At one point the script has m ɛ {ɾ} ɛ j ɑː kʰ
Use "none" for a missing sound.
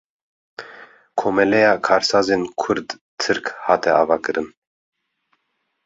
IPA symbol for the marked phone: l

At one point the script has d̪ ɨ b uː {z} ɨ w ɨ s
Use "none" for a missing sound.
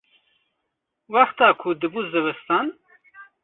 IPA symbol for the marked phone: z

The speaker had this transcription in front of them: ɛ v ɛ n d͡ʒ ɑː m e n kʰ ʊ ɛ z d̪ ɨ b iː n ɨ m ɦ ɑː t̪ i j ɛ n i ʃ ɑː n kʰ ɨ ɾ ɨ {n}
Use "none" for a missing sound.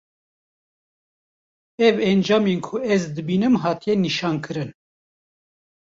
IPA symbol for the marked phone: n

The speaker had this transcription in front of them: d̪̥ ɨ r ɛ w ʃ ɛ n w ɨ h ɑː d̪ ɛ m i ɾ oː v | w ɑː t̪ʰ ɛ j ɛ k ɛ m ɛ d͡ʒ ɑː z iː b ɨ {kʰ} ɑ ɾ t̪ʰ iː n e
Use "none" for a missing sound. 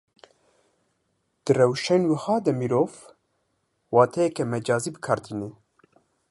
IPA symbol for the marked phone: kʰ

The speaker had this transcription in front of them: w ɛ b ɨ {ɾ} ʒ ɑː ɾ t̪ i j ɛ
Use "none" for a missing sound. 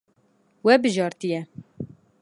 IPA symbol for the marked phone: none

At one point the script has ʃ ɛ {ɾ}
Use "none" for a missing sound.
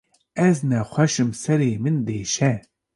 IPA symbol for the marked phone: none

